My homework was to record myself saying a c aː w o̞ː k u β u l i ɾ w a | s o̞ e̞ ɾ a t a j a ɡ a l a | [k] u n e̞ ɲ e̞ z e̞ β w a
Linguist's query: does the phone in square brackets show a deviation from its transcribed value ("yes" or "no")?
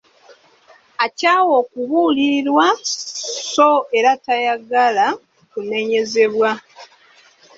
no